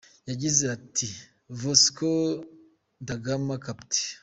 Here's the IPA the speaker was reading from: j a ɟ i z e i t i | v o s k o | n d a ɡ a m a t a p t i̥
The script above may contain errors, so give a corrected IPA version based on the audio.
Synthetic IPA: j a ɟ i z e a t i | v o s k o | n d a ɡ a m a k a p t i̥